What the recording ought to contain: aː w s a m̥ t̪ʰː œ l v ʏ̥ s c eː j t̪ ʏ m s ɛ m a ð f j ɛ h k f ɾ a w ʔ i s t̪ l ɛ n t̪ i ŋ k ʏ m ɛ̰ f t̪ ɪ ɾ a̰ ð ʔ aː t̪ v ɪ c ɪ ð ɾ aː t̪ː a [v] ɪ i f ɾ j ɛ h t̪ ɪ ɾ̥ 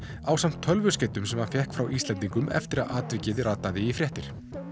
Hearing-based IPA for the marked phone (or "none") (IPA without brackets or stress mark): ð